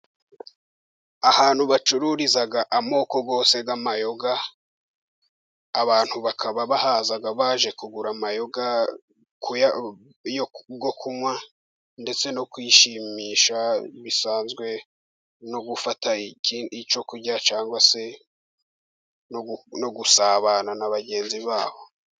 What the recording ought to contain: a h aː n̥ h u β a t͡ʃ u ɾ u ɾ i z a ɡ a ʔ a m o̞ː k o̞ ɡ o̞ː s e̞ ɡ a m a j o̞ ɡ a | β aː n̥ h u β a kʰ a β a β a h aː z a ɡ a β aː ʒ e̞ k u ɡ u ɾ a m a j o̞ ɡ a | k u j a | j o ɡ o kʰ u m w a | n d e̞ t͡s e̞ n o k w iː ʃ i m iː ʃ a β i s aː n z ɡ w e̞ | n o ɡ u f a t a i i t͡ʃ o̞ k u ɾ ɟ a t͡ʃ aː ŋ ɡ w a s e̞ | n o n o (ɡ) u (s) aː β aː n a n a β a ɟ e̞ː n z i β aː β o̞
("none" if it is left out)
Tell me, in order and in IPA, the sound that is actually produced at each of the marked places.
ɡ, s

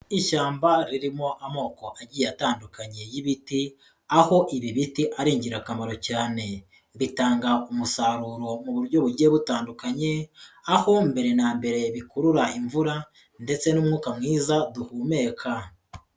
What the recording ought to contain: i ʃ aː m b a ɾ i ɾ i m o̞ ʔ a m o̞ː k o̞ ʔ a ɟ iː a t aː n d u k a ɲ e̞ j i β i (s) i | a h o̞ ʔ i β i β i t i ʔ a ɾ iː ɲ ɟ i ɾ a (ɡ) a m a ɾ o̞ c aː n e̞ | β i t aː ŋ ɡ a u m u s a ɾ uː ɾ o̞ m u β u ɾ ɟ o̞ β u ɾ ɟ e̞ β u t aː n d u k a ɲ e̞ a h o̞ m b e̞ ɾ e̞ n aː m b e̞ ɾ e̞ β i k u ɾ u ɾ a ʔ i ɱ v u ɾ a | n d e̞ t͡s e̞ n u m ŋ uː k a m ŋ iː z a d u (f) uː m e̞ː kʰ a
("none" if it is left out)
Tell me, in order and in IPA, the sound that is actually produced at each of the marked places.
t, k, h

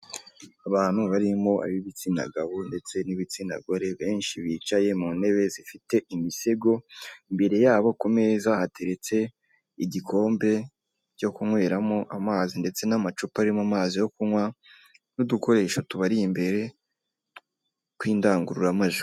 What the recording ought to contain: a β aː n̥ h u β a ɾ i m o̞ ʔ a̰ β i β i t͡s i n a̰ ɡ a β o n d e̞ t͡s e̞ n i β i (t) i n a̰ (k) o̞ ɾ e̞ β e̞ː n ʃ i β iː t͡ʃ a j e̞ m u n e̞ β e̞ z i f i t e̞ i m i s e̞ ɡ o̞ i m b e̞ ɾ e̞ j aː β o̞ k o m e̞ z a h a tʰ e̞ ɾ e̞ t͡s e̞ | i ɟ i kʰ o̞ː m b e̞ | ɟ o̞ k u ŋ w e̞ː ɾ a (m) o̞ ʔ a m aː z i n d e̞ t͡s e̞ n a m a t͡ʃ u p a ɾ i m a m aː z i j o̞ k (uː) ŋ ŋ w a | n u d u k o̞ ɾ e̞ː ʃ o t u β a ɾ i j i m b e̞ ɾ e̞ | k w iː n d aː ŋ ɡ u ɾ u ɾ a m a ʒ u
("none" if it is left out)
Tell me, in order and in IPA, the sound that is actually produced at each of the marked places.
t͡s, ɡ, m, u

